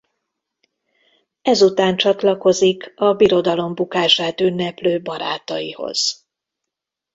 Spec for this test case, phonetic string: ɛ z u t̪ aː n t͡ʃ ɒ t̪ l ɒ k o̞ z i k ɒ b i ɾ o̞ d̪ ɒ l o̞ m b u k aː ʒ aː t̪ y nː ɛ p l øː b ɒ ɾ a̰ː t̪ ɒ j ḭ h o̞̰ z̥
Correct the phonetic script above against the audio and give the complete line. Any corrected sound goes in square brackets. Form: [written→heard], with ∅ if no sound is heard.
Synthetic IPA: ɛ z u t̪ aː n t͡ʃ ɒ t̪ l ɒ k o̞ z i k ɒ b i ɾ o̞ d̪ ɒ l o̞ m b u k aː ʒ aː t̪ y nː ɛ p l øː b ɒ ɾ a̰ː t̪ ɒ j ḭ h o̞̰ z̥